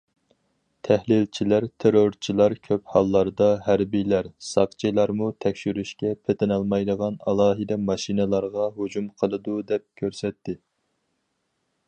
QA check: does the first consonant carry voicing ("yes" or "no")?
no